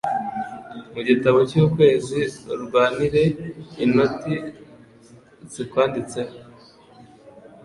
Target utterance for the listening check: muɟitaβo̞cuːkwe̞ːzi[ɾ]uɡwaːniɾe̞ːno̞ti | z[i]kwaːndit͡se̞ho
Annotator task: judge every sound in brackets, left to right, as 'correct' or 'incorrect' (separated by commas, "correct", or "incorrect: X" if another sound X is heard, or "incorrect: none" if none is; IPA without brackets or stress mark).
correct, correct